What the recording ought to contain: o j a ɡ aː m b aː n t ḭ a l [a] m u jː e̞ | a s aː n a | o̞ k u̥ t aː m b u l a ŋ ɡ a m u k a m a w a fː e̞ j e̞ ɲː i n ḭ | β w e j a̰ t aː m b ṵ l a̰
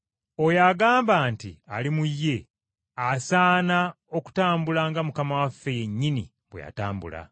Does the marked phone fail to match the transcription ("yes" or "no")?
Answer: yes